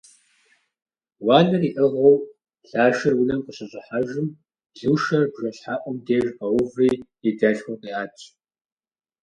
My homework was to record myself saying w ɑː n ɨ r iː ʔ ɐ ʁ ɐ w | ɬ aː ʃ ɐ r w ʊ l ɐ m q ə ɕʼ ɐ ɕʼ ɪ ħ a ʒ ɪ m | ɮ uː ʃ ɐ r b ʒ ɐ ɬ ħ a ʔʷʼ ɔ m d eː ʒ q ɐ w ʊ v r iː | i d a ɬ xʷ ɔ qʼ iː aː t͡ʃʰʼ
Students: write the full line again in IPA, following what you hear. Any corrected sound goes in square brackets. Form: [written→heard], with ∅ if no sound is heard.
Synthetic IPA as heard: w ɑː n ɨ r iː ʔ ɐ ʁ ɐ w | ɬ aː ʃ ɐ r w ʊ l ɐ m q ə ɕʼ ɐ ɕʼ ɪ ħ a ʒ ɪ m | ɮ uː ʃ ɐ r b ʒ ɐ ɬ ħ a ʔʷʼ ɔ m d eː ʒ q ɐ w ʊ v r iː | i d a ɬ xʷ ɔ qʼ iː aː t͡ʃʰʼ